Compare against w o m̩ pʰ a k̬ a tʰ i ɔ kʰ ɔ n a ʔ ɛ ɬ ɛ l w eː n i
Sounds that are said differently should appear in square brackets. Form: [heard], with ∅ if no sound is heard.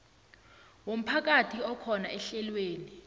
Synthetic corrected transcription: w o m̩ pʰ a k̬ a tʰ i ɔ kʰ ɔ n a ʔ ɛ ɬ ɛ l w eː n i